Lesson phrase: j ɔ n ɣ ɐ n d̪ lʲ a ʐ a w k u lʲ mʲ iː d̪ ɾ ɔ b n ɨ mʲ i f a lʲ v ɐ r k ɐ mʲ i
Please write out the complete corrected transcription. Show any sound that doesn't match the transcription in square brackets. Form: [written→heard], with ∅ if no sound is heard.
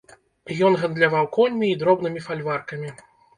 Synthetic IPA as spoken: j ɔ n ɣ ɐ n d̪ lʲ a [ʐ→v] a w k [u→ɔ] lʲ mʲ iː d̪ ɾ ɔ b n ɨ mʲ i f a lʲ v [ɐ→a] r k ɐ mʲ i